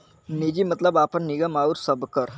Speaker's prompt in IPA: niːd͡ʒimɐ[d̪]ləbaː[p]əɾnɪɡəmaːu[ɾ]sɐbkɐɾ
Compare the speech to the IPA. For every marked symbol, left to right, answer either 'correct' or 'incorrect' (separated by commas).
incorrect, correct, correct